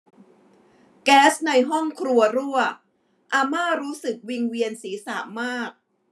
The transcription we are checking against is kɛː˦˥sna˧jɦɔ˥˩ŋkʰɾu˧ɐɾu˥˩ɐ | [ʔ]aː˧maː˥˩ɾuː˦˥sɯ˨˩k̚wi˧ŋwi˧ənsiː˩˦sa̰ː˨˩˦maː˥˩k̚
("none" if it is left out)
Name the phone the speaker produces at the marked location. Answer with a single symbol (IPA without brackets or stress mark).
ʔ